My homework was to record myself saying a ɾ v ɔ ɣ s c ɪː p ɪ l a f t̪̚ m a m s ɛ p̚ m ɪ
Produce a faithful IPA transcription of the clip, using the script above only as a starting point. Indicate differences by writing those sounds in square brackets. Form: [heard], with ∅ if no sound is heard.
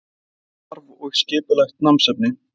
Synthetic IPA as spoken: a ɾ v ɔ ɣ s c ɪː p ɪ l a [x] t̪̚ [n] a m s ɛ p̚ [n] ɪ